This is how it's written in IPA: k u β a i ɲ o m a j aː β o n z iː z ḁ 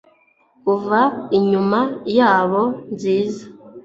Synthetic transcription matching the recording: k u v a i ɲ u m a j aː β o n z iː z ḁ